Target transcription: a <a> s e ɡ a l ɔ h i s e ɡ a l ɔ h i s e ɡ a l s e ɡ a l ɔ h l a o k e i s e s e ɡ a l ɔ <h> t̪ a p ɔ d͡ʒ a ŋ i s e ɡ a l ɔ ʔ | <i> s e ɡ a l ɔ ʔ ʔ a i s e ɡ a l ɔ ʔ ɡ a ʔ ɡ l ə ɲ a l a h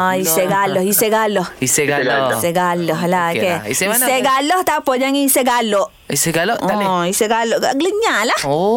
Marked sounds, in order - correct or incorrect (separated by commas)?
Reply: incorrect, correct, correct